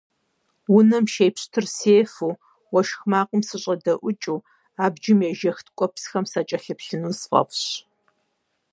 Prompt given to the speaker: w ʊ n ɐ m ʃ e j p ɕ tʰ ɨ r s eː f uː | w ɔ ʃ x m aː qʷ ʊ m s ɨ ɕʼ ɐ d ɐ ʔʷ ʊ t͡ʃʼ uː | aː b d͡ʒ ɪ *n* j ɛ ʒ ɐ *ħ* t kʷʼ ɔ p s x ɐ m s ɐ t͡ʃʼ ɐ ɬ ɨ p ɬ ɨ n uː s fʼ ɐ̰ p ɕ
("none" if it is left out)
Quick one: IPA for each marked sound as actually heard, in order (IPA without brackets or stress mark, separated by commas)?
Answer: m, x